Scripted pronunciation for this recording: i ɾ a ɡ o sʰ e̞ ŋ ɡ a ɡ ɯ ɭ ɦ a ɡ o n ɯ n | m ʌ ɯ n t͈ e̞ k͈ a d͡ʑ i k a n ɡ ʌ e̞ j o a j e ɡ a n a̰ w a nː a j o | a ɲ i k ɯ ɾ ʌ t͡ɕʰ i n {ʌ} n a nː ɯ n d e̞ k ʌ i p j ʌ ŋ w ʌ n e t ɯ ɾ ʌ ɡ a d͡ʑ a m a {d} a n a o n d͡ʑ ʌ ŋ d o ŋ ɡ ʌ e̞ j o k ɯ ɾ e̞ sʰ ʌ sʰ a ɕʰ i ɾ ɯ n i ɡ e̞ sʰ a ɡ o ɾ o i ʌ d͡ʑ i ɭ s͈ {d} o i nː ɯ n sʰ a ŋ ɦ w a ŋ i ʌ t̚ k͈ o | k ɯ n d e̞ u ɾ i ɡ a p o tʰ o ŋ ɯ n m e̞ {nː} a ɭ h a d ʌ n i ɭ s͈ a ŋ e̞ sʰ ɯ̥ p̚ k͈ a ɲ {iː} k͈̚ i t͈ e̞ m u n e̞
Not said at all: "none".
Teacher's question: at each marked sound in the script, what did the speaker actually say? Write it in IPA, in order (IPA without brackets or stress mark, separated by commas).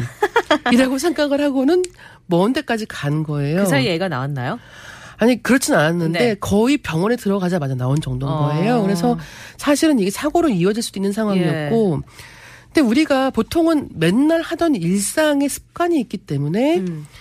a, d͡ʑ, d, nː, iː